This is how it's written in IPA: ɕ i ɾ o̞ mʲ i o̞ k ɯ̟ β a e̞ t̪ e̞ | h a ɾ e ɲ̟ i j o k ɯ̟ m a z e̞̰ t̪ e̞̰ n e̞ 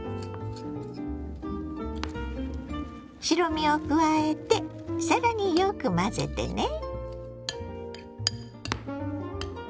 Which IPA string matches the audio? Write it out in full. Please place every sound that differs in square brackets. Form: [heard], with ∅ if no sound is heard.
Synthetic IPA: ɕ i ɾ o̞ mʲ i o̞ k ɯ̟ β a e̞ t̪ e̞ | [s] a ɾ [a] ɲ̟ i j o k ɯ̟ m a z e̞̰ t̪ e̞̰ n e̞